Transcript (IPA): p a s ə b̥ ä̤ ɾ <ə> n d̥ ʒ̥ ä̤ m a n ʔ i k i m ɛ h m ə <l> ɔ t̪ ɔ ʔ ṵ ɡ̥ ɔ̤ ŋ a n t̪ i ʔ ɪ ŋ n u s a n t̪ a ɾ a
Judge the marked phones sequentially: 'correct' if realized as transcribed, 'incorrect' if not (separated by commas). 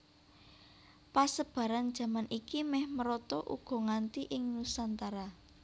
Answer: incorrect, incorrect